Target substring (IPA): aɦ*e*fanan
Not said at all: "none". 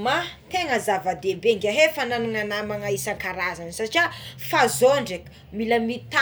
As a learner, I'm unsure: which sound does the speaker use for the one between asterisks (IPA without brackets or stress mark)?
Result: e